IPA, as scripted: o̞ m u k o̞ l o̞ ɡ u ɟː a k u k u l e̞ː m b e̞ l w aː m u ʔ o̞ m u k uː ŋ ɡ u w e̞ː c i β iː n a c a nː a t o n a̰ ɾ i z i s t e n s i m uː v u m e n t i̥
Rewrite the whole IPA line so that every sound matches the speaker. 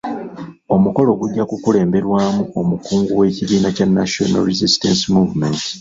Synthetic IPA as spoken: o̞ m u k o̞ l o̞ ɡ u ɟː a k u k u l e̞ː m b e̞ ɾ w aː m u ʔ o̞ m u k uː ŋ ɡ u w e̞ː c i β iː n a c a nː a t o n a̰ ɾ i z i s t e n s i m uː v u m e n t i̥